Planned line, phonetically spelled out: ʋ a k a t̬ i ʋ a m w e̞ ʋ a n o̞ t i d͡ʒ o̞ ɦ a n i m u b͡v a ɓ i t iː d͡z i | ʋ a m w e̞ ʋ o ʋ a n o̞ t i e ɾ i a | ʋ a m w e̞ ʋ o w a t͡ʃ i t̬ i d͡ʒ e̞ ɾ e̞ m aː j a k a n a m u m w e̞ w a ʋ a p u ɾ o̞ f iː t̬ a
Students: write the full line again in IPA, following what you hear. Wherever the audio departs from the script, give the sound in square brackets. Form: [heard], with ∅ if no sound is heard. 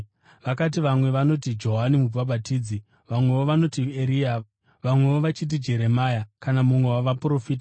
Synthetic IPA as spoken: ʋ a k a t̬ i ʋ a m w e̞ ʋ a n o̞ t i d͡ʒ o̞ ɦ a n i m u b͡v a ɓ [a] t iː d͡z i | ʋ a m w e̞ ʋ o ʋ a n o̞ t i e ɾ i a | ʋ a m w e̞ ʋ o [ʋ] a t͡ʃ i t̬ i d͡ʒ e̞ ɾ e̞ m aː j a k a n a m u m w e̞ w a ʋ a p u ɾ o̞ f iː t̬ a